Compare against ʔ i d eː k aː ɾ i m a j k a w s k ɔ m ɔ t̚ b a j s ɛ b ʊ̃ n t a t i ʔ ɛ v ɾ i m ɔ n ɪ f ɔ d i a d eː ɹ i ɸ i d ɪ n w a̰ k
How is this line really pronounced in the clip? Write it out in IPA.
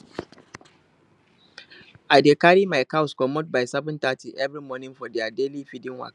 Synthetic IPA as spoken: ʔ a d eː k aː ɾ i m a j k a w s k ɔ m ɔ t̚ b a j s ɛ b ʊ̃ n t a t i ʔ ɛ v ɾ i m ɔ n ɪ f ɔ d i a d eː l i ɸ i d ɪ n w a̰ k

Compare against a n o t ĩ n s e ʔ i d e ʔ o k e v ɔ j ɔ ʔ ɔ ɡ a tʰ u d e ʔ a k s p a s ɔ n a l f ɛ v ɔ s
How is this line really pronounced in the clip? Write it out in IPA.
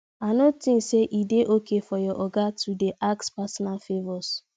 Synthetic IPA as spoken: a n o t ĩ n s e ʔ i d e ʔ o k e f ɔ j ɔ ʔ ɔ ɡ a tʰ u d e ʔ a k s p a s ɔ n a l f e v ɔ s

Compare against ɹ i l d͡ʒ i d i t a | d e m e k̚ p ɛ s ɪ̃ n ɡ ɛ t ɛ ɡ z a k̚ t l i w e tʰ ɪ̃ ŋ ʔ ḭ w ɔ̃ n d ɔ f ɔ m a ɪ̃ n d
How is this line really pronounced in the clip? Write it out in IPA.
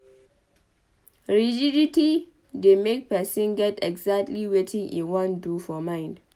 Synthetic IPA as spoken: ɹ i d͡ʒ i d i t i | d e m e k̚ p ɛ s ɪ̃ n ɡ ɛ t ɛ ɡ z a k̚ t l i w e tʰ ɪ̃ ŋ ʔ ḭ w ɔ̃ n d u f ɔ m a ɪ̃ n d

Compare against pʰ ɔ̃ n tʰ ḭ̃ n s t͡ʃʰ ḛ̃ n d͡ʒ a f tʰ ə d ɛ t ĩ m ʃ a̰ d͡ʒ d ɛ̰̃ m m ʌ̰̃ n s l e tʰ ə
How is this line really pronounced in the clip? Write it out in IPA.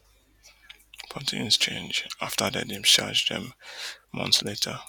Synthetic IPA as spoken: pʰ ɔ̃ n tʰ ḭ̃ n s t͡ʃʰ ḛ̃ n d͡ʒ a f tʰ ə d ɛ d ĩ m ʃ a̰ d͡ʒ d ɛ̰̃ m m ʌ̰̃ n s l e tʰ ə

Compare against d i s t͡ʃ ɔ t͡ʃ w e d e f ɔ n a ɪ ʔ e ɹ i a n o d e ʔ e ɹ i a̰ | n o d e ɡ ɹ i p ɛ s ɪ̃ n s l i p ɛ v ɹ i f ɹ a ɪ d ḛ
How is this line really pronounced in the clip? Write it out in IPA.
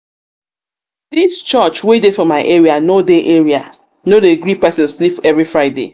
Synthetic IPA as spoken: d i s t͡ʃ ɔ t͡ʃ w e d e f ɔ m a ɪ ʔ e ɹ i a n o d e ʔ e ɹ i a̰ | n o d e ɡ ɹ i p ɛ s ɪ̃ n s l i p ɛ v ɹ i f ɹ a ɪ d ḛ

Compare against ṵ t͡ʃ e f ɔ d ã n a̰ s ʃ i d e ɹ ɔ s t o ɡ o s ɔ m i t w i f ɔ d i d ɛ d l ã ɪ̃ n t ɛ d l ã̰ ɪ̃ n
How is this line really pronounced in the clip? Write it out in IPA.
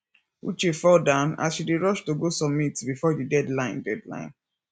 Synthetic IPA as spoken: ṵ t͡ʃ e f ɔ d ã n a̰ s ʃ i d e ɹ ɔ ʃ t o ɡ o s ɔ m i t b i f ɔ d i d ɛ d l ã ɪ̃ n d ɛ d l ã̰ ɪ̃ n

